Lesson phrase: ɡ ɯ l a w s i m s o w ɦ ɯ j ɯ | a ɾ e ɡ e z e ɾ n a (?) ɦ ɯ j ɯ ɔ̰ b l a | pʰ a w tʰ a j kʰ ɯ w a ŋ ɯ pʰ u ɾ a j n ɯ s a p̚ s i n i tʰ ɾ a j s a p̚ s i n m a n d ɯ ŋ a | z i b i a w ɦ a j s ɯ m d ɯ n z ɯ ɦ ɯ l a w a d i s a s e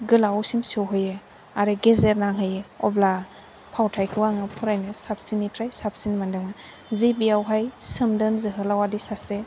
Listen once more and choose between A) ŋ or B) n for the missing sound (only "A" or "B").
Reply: A